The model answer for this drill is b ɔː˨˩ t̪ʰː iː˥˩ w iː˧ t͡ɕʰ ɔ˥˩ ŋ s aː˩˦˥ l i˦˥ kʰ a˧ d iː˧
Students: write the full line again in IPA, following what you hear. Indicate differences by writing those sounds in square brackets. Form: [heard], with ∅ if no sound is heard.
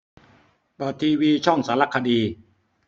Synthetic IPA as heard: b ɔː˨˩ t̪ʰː [iː˧] w iː˧ t͡ɕʰ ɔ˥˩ ŋ s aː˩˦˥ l [a˦˥] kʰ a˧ d iː˧